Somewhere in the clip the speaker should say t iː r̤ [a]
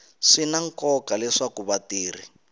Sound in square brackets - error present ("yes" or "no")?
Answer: yes